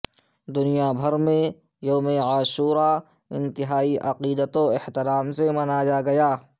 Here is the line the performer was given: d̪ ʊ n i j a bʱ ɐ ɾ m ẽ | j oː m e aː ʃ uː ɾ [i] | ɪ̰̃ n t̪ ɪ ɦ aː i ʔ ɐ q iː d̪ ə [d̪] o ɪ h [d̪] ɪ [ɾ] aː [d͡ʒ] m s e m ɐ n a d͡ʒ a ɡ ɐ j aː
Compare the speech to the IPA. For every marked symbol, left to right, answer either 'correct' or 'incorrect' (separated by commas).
incorrect, incorrect, incorrect, correct, incorrect